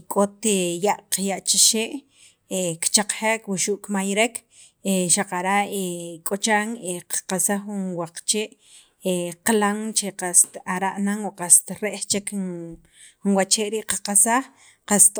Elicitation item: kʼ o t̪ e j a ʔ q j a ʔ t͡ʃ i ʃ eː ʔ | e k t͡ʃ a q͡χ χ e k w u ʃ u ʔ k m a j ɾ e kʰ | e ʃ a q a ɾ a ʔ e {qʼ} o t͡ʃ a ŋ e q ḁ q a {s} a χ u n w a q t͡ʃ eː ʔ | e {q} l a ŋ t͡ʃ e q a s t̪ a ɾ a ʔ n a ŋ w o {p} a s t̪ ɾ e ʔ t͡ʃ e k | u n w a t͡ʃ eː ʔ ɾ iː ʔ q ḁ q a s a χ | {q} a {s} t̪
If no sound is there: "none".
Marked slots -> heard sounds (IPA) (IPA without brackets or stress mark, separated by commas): kʼ, s, q, q, q, s